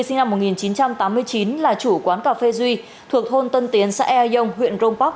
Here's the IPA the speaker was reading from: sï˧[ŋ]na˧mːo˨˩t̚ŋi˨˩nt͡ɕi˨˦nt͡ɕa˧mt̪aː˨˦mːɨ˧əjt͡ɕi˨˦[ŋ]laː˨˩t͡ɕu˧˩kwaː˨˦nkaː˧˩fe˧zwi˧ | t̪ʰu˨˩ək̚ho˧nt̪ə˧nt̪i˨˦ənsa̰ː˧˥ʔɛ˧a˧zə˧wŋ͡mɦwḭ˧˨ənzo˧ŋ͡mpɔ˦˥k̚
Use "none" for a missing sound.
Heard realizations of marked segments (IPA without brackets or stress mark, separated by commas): ŋ, n